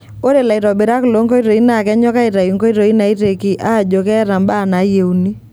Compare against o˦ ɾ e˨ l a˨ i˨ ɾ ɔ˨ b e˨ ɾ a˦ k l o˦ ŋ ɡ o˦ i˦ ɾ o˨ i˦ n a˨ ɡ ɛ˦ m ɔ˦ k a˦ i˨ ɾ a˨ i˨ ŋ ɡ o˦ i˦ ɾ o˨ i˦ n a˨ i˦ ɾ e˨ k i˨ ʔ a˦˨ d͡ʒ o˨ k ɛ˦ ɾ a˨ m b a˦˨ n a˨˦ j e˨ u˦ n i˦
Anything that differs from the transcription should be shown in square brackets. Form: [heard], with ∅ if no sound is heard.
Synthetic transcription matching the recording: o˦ ɾ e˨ l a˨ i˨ ɾ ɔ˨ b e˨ ɾ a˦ k l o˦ ŋ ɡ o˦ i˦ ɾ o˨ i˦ n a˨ [k] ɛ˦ [ɲ] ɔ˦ k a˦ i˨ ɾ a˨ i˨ ŋ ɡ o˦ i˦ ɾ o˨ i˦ n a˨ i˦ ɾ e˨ k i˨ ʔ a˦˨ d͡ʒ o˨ k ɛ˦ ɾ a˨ m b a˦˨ n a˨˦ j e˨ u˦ n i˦